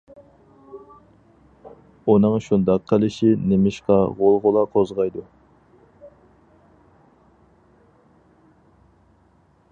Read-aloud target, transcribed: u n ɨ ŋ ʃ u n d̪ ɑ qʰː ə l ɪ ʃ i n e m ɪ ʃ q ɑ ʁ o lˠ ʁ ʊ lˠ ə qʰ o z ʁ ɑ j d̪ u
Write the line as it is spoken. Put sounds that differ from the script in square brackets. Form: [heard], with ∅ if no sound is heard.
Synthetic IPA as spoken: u n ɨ ŋ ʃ u n d̪ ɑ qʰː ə l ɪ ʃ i n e m ɪ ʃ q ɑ ʁ o lˠ ʁ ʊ lˠ [ɑ] qʰ o z ʁ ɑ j d̪ u